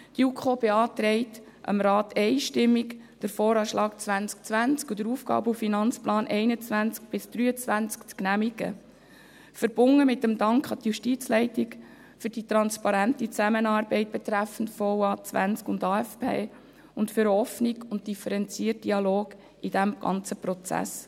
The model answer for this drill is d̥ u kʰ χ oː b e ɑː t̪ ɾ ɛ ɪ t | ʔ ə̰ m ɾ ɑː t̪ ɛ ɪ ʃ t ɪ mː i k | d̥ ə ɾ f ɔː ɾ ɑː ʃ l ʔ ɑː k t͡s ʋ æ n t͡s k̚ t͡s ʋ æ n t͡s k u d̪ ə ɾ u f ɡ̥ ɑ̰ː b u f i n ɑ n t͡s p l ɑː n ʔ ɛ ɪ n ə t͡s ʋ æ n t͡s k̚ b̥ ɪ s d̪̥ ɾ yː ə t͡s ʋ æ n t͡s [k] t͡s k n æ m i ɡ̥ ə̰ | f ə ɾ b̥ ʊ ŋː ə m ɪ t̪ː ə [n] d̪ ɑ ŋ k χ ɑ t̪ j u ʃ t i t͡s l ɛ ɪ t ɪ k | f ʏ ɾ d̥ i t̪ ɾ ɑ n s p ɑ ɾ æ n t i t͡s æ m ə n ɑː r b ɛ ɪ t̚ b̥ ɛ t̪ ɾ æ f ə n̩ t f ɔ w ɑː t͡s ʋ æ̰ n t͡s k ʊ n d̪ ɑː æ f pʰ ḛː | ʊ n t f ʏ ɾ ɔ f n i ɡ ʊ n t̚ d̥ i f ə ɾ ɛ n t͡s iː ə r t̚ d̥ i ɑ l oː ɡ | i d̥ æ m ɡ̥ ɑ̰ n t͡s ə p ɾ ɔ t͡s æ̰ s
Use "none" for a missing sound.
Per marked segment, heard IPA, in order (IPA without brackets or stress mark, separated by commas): k, m